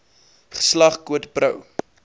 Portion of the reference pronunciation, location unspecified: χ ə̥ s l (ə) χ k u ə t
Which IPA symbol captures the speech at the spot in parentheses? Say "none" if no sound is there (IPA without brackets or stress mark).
ɐ